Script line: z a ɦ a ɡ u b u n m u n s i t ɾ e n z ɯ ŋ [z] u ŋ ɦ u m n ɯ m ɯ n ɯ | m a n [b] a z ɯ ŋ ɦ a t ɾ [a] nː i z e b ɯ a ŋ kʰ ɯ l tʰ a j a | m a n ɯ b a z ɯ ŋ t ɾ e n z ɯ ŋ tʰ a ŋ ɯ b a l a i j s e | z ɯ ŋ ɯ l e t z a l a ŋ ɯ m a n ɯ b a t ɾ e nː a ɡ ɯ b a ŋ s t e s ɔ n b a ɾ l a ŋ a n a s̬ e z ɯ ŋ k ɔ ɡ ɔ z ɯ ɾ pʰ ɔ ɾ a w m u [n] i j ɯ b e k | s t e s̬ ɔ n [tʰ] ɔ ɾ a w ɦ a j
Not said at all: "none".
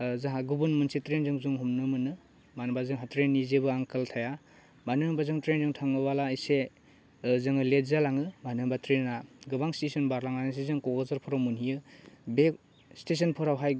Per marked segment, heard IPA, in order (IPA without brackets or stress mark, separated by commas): z, b, e, n, pʰ